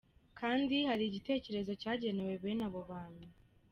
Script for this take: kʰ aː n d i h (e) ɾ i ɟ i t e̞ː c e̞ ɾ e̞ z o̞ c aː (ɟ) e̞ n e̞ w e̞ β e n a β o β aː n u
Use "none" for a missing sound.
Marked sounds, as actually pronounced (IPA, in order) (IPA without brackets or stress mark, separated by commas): a, ɟ